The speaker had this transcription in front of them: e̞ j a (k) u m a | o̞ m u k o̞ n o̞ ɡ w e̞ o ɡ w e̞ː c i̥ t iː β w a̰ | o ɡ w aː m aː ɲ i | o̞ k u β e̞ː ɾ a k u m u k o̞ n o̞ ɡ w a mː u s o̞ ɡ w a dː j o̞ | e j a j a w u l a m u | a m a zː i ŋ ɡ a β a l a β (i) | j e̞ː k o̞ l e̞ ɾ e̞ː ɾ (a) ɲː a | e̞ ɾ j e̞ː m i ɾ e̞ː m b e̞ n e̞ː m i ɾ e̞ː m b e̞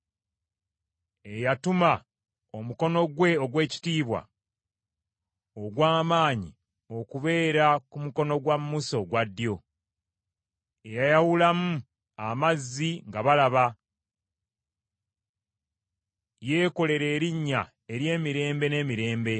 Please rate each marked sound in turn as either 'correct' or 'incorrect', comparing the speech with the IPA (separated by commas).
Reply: incorrect, incorrect, incorrect